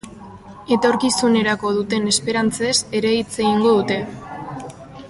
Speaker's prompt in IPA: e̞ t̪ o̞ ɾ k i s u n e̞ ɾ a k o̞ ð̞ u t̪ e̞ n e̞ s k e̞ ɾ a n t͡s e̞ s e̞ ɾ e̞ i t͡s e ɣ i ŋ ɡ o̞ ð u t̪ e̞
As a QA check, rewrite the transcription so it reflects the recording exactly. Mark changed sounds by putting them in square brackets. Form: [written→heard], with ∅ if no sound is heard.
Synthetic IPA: e̞ t̪ o̞ ɾ k i s u n e̞ ɾ a k o̞ ð̞ u t̪ e̞ n e̞ s [k→p] e̞ ɾ a n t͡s e̞ s e̞ ɾ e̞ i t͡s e ɣ i ŋ ɡ o̞ ð u t̪ e̞